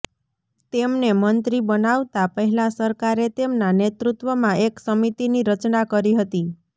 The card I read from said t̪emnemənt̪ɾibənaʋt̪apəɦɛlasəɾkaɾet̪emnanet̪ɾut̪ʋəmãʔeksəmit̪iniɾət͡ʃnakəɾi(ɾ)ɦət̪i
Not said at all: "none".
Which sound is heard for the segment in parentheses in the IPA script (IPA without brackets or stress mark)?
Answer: none